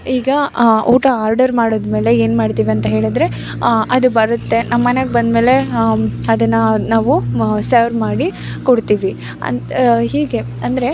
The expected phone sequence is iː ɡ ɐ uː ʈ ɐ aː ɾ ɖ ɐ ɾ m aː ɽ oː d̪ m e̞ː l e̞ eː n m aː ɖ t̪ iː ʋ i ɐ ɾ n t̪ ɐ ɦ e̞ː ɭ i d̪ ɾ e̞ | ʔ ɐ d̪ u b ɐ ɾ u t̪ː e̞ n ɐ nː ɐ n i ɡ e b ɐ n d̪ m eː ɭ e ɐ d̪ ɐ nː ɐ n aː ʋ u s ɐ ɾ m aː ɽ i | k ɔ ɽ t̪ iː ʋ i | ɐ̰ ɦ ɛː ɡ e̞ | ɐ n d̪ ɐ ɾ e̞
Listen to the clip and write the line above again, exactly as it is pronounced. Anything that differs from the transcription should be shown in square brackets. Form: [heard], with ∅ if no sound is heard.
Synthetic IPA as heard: iː ɡ ɐ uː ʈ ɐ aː ɾ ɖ ɐ ɾ m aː ɽ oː d̪ m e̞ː l e̞ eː n m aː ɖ t̪ iː ʋ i ɐ [∅] n t̪ ɐ ɦ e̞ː ɭ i d̪ ɾ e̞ | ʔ ɐ d̪ u b ɐ ɾ u t̪ː e̞ n ɐ [mː] ɐ n [e] ɡ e b ɐ n d̪ m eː [l] e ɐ d̪ ɐ nː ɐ n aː ʋ u s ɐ ɾ m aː ɽ i | k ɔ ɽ t̪ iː ʋ i | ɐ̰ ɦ [iː] ɡ e̞ | ɐ n d̪ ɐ ɾ e̞